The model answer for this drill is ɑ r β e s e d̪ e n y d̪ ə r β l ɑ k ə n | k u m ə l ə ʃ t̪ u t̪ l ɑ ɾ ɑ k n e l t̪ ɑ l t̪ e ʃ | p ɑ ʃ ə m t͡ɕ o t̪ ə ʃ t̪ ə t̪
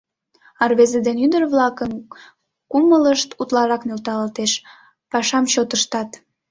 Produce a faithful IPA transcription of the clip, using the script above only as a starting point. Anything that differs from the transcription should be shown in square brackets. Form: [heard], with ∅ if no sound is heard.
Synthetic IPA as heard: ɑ r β e [z] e d̪ e n y d̪ ə r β l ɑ k ə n | k u m ə l ə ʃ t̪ u t̪ l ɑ ɾ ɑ k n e l t̪ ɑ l t̪ e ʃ | p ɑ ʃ [ɑ] m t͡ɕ o t̪ ə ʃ t̪ [ɑ] t̪